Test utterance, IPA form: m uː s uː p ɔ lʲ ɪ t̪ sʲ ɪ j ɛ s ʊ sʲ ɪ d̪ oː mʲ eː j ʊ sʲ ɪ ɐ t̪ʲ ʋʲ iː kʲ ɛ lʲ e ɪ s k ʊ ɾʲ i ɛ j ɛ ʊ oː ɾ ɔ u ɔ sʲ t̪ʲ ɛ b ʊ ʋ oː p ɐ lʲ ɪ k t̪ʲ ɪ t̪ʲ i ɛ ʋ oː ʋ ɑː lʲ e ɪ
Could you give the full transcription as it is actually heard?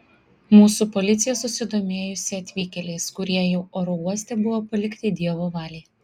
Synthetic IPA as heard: m uː s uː p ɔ lʲ ɪ t̪ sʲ ɪ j ɛ s ʊ sʲ ɪ d̪ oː mʲ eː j ʊ sʲ ɪ ɐ t̪ʲ ʋʲ iː kʲ ɛ lʲ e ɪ s k ʊ ɾʲ i ɛ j ɛ ʊ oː ɾ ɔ u ɔ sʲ t̪ʲ ɛ b ʊ ʋ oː p ɐ lʲ ɪ k t̪ʲ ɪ d̪ʲ i ɛ ʋ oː ʋ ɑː lʲ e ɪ